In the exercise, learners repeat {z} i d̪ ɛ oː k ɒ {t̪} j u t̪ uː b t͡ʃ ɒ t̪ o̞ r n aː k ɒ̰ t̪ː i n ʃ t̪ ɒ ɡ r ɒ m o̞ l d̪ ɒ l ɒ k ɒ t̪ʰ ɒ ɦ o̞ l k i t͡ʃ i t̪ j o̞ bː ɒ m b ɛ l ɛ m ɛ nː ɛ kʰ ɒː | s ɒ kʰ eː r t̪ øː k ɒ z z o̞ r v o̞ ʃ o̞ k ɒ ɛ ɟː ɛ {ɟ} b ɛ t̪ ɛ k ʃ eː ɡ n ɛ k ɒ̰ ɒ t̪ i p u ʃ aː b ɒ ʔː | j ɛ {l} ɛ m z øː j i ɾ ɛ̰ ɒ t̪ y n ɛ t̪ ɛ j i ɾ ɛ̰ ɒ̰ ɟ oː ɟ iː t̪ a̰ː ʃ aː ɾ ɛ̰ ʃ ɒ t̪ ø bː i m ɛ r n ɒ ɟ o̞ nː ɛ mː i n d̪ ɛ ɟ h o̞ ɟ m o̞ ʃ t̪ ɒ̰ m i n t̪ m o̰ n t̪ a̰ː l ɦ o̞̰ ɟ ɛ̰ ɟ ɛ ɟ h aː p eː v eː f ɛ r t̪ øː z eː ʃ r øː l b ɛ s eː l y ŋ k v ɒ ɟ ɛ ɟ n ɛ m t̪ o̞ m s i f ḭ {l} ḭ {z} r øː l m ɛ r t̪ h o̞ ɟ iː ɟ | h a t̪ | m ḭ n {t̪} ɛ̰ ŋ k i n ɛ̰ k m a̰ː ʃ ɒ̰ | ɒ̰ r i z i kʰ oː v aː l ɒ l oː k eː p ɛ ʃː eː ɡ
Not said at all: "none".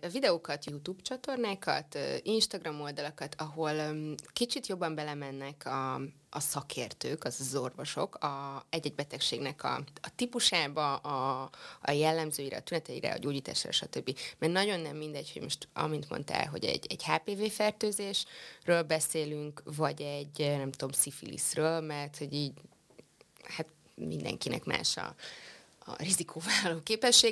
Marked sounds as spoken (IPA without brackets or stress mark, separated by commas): v, t̪, ɟ, lː, l, s, d̪